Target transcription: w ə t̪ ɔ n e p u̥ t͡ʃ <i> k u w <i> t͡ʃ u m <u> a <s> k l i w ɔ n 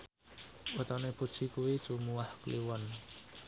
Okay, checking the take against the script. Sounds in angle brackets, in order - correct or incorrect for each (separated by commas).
correct, correct, correct, incorrect